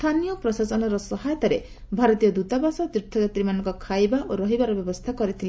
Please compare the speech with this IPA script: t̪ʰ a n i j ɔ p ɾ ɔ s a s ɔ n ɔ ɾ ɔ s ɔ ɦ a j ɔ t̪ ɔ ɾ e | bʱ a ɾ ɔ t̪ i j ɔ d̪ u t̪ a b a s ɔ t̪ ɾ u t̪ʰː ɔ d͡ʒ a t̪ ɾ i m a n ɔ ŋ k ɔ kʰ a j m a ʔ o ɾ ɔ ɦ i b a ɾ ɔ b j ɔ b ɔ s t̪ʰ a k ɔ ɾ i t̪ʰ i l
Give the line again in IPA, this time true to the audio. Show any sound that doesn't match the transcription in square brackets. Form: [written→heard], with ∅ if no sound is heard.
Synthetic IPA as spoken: t̪ʰ a n i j ɔ p ɾ ɔ s a s ɔ n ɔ ɾ ɔ s ɔ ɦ a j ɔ t̪ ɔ ɾ e | bʱ a ɾ ɔ t̪ i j ɔ d̪ u t̪ a b a s ɔ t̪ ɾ u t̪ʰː ɔ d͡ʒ a t̪ ɾ i m a n ɔ ŋ k ɔ kʰ a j [m→b] a ʔ o ɾ ɔ ɦ i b a ɾ ɔ b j ɔ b ɔ s t̪ʰ a k ɔ ɾ i t̪ʰ i l